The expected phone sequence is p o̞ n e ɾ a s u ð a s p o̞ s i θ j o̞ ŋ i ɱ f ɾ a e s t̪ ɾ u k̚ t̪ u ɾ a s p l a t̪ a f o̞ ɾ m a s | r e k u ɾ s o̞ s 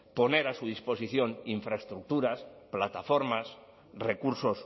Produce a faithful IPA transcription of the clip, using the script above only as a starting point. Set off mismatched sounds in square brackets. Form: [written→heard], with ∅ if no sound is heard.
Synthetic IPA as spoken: p o̞ n e ɾ a s u ð [a→i] s p o̞ s i θ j o̞ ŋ i ɱ f ɾ a e s t̪ ɾ u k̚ t̪ u ɾ a s p l a t̪ a f o̞ ɾ m a s | r e k u ɾ s o̞ s